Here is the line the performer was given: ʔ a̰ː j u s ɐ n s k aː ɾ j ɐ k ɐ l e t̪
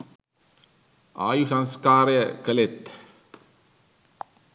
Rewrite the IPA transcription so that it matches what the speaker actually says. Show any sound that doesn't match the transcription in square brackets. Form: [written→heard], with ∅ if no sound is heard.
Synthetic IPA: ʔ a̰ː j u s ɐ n s k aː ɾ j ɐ k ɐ l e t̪